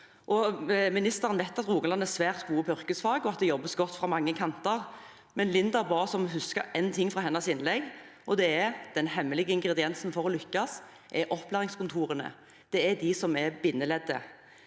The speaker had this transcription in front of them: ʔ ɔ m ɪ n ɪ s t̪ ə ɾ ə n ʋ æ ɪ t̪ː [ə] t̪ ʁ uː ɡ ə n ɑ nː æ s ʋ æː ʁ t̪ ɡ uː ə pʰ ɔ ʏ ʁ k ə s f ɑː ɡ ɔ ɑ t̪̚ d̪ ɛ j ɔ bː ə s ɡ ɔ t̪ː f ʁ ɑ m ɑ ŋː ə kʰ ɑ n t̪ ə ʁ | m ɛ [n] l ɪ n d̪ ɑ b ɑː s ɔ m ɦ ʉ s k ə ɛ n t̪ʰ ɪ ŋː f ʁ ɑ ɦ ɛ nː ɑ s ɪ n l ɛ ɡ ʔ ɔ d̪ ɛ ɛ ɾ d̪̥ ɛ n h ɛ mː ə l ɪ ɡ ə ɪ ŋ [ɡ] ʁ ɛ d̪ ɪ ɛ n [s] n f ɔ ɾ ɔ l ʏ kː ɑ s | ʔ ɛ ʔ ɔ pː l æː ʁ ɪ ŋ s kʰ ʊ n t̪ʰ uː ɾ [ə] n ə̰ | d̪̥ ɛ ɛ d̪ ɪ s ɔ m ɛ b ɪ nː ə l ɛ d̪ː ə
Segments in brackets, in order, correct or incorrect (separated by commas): incorrect, correct, correct, correct, correct